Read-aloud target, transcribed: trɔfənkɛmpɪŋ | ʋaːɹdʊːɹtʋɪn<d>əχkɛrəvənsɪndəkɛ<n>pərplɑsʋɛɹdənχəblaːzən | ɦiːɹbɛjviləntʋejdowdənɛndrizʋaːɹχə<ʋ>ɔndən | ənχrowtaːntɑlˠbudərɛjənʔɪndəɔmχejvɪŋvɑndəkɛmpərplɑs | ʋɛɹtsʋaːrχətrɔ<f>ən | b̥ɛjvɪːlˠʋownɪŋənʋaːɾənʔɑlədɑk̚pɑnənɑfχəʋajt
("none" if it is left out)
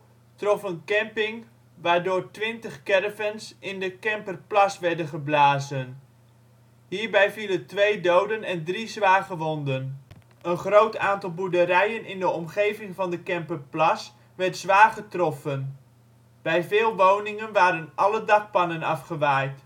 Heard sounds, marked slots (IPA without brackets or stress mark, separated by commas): t, m, ʋ, f